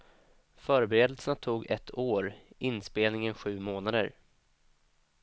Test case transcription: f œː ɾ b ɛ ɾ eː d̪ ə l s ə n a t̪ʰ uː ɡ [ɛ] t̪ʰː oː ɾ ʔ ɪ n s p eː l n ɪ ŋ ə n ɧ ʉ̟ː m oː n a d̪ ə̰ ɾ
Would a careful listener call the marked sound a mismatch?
no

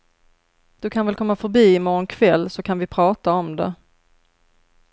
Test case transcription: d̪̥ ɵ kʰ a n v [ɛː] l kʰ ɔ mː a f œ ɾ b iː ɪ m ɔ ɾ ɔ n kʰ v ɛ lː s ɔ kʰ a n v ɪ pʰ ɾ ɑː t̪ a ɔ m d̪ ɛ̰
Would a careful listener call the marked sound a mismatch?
yes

